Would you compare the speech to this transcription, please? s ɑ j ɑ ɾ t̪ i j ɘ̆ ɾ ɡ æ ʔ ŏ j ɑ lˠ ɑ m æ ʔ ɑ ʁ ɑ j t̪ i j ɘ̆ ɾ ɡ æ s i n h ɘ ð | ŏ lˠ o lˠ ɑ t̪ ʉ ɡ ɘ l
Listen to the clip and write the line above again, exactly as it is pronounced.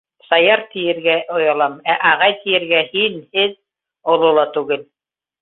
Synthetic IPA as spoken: s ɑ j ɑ ɾ t̪ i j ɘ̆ ɾ ɡ æ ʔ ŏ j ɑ lˠ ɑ m æ ʔ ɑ ʁ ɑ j t̪ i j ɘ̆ ɾ ɡ æ h i n h ɘ ð | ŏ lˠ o lˠ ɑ t̪ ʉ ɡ ɘ l